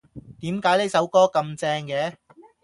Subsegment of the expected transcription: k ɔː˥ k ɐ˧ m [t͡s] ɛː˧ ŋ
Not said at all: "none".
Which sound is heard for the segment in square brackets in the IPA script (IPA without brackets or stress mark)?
t͡s